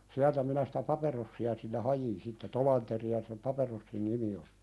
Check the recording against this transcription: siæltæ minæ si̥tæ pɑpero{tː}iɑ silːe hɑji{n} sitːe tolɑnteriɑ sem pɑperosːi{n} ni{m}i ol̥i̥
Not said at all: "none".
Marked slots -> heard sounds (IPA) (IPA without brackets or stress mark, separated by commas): sː, n, n, m